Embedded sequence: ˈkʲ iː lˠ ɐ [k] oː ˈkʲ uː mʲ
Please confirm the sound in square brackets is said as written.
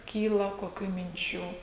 yes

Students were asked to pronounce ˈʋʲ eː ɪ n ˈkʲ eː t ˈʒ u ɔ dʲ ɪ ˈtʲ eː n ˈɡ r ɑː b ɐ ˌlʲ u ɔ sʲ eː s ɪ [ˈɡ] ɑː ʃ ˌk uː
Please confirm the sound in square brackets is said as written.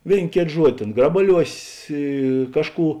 no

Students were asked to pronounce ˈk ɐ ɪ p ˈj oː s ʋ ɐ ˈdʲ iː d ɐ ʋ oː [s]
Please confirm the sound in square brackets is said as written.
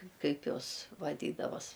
yes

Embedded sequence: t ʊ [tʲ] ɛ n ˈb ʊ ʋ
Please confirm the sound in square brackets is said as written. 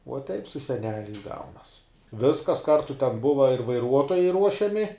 yes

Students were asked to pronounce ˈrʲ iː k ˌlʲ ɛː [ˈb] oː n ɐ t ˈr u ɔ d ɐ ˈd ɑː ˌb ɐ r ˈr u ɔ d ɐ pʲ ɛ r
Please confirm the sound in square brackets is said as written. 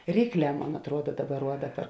no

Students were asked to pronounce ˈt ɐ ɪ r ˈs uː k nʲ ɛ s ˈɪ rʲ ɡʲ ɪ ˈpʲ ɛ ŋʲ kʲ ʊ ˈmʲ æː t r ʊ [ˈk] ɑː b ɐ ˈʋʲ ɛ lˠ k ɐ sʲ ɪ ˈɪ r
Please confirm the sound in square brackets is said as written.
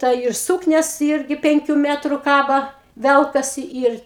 yes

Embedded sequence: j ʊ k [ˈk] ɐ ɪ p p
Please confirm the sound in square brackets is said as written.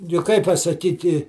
yes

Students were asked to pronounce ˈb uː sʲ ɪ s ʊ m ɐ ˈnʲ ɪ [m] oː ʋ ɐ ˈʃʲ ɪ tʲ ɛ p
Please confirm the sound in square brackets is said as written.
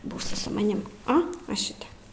yes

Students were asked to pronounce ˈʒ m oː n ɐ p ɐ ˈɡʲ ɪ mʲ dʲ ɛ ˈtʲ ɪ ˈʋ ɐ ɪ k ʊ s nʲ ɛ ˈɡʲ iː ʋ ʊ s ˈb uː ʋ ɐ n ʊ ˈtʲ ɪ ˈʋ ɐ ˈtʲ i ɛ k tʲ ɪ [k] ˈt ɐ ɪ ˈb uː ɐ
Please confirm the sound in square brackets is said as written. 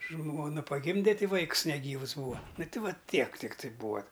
yes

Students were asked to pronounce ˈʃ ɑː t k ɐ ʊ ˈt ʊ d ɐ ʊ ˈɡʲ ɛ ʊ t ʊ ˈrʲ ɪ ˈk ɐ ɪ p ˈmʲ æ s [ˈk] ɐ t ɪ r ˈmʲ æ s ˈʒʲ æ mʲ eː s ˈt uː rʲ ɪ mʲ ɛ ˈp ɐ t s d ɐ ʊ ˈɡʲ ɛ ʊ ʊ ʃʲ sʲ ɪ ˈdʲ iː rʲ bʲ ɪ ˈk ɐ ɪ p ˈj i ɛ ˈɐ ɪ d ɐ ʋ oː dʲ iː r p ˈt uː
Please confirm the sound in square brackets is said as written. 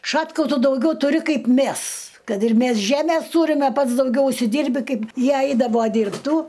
yes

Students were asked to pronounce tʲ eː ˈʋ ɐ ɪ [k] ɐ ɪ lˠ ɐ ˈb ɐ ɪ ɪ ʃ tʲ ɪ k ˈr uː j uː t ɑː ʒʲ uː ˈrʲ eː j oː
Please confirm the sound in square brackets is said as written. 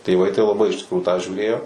no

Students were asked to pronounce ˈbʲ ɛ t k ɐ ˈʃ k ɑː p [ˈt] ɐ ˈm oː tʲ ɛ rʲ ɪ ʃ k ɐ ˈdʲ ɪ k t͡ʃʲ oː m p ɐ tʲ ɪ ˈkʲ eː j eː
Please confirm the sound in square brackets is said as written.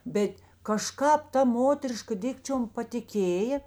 yes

